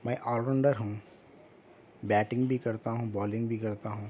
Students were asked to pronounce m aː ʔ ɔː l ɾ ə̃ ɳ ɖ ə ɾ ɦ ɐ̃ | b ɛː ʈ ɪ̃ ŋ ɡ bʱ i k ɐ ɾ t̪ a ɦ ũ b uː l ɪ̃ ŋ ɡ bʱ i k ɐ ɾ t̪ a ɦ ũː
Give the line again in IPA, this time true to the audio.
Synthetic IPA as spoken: m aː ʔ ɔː l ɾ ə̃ ɳ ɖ ə ɾ ɦ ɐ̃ | b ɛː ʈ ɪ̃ ŋ ɡ bʱ i k ɐ ɾ t̪ a ɦ ũ b ɔː l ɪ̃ ŋ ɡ bʱ i k ɐ ɾ t̪ a ɦ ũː